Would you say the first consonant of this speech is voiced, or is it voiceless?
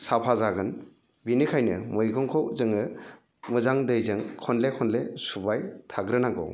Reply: voiceless